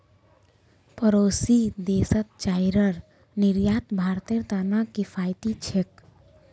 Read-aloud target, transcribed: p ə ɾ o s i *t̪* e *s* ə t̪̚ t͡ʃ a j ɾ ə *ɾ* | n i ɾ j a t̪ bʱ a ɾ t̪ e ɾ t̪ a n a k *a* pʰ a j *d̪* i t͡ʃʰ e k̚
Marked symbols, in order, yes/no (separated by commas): no, yes, yes, no, no